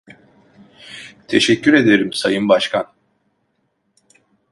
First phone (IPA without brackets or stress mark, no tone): t̪ʰ